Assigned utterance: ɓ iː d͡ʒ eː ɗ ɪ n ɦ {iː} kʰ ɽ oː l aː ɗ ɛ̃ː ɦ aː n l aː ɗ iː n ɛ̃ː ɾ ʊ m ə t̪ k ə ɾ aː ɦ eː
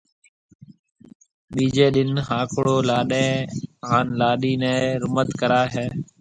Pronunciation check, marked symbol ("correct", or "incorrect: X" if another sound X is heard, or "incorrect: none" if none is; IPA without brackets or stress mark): incorrect: aː